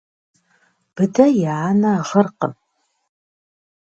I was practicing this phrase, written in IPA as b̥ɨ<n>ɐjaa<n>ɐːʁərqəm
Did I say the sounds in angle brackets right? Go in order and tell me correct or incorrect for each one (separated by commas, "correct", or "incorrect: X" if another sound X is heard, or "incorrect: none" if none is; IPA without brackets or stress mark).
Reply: incorrect: d, correct